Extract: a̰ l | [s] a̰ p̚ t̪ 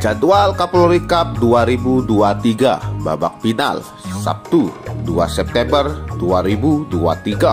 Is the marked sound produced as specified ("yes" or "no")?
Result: yes